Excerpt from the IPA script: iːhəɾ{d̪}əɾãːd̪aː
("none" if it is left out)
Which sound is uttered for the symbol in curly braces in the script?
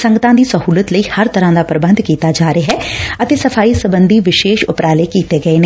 t̪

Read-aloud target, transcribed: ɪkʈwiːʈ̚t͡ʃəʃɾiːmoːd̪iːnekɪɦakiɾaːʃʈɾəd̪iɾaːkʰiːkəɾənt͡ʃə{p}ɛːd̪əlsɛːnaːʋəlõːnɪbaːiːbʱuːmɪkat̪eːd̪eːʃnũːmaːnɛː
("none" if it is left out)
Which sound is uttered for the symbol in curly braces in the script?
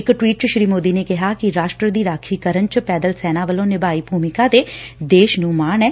p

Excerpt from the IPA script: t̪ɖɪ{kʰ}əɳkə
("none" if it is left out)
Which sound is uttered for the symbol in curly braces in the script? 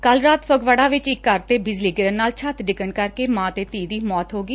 k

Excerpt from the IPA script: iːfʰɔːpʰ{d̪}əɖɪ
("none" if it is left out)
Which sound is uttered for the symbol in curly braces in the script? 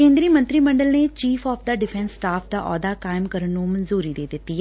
d̪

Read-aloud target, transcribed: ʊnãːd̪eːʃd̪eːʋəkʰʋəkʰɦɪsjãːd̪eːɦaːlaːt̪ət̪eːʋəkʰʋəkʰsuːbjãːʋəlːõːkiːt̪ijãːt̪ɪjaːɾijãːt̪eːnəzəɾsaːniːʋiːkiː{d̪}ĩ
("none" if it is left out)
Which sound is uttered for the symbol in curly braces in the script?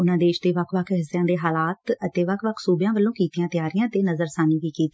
t̪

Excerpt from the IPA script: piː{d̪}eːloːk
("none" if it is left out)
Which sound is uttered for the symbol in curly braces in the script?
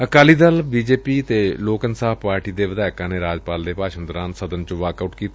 t̪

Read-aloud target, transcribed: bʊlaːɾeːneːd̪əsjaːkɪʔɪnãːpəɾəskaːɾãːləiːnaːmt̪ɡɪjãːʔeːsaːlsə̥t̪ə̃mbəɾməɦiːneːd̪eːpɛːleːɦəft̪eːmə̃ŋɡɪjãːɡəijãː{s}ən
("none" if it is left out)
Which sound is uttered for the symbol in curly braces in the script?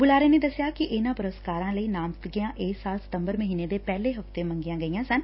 s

